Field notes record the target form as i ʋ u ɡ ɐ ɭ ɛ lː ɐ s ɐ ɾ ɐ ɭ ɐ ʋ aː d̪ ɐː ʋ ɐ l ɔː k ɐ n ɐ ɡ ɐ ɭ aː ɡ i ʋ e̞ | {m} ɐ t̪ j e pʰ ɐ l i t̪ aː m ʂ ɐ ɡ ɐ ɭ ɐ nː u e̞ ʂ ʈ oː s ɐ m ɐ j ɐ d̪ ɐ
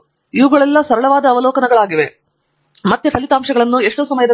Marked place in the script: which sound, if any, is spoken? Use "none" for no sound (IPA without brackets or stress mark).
m